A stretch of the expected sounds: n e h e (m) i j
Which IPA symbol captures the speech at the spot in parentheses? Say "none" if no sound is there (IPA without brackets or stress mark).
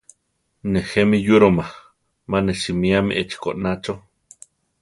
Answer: m